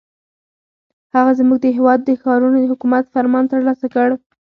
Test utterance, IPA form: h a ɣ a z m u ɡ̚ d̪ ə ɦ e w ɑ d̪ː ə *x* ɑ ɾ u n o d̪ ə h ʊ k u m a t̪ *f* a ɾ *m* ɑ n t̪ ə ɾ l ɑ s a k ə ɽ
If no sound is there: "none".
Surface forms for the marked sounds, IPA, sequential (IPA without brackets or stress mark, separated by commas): x, f, m